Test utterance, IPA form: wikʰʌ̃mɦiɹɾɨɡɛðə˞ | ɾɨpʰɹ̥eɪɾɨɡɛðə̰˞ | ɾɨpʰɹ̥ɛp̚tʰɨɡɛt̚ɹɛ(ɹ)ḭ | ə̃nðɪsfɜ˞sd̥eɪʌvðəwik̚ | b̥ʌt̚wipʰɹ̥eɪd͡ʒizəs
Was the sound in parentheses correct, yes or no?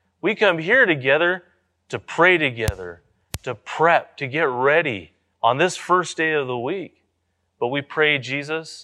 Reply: no